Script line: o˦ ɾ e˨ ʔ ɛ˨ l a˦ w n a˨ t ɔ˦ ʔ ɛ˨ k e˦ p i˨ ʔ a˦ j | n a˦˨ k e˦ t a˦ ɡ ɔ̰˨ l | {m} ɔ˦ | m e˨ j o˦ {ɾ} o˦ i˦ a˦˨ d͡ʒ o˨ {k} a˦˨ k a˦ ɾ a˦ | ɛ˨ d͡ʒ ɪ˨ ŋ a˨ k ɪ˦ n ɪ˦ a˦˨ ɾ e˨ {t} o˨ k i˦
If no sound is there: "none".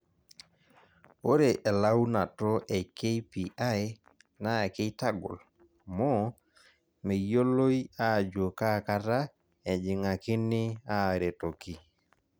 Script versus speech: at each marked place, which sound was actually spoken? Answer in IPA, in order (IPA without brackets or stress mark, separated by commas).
m, l, k, t